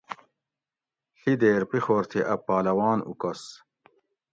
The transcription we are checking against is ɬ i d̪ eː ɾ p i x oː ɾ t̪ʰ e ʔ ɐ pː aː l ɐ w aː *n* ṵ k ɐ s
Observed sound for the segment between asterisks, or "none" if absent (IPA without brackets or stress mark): n